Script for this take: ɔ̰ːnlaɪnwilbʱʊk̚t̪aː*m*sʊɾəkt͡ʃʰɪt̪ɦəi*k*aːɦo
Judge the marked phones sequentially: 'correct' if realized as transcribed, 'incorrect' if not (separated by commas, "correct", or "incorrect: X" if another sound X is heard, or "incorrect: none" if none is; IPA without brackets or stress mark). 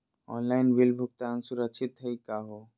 incorrect: n, correct